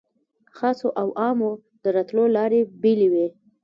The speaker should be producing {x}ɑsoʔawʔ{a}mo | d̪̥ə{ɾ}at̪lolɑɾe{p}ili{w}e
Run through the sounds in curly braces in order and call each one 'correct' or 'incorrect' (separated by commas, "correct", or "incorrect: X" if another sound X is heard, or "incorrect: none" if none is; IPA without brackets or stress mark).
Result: correct, incorrect: ɑ, correct, incorrect: b, correct